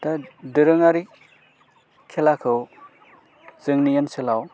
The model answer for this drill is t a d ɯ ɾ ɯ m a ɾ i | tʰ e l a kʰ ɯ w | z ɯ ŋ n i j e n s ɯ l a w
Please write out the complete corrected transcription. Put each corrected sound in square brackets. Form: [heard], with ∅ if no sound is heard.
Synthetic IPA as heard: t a d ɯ ɾ ɯ [ŋ] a ɾ i | [kʰ] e l a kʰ ɯ w | z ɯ ŋ n i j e n s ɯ l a w